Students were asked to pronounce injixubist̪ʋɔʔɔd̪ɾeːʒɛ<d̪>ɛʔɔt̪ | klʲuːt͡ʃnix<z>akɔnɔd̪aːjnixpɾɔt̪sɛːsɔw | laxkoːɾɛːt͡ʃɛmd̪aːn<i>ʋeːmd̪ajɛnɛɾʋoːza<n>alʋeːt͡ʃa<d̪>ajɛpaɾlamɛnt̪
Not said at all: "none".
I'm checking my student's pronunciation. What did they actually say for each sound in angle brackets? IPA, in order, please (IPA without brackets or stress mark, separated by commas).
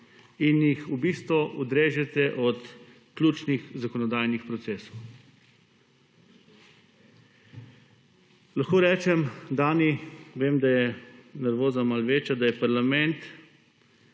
t̪, z, i, m, d̪